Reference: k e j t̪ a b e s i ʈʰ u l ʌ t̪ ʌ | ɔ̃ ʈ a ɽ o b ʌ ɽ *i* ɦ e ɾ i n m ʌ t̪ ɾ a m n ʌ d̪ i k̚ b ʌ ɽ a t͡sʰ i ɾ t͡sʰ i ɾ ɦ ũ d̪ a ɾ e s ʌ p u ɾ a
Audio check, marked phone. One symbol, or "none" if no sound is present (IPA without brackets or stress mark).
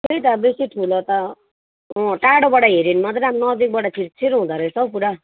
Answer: a